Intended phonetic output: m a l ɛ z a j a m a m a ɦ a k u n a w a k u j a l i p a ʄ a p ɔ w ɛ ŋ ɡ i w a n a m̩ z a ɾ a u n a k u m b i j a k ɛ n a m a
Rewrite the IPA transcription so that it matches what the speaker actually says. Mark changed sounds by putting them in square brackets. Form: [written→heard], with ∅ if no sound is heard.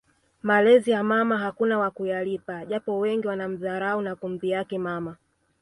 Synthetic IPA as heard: m a l ɛ z [a→i] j a m a m a ɦ a k u n a w a k u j a l i p a ʄ a p ɔ w ɛ ŋ ɡ i w a n a m̩ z a ɾ a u n a k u m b i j a k ɛ [n→m] a m a